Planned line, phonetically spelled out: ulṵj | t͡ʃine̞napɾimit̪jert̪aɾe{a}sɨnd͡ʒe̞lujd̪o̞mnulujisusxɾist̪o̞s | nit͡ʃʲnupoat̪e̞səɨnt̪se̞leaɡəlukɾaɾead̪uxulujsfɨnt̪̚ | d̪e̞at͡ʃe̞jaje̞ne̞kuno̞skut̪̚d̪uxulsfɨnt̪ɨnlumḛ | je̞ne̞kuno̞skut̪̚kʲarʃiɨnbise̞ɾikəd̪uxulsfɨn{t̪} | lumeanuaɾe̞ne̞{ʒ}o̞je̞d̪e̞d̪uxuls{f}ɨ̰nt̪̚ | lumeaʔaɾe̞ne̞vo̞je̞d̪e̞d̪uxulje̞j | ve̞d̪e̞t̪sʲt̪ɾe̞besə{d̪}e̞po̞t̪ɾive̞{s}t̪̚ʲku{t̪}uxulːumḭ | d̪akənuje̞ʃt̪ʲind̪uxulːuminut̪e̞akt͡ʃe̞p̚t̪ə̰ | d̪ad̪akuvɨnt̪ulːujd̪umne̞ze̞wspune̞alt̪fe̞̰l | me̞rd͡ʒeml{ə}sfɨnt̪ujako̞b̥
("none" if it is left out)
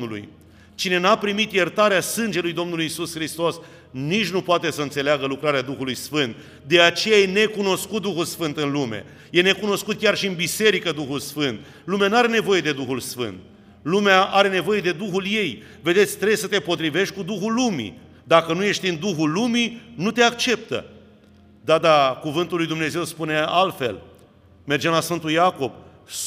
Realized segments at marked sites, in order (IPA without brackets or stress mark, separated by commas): a, t̪, v, f, t̪, ʃ, d̪, a